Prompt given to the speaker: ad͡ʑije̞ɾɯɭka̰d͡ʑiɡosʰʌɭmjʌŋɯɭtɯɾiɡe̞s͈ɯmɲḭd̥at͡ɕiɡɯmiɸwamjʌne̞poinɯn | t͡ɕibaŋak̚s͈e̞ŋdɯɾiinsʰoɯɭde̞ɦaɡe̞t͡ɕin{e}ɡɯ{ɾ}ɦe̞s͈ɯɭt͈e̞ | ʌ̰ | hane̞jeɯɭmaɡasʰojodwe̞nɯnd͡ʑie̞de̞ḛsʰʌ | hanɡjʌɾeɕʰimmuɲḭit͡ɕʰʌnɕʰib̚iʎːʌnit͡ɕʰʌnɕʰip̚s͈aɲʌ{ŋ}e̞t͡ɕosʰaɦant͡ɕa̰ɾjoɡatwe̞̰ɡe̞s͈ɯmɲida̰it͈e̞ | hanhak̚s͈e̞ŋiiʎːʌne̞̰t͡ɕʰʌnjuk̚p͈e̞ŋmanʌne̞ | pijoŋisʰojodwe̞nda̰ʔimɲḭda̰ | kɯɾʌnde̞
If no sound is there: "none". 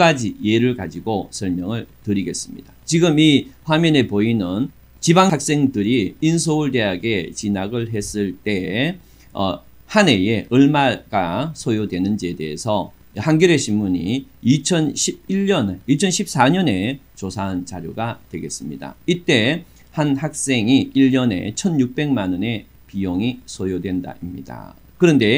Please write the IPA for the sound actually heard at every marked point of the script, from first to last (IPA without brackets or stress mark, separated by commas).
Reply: a, ɭ, n